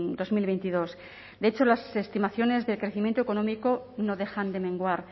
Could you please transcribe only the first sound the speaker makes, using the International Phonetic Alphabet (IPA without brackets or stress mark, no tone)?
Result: d̪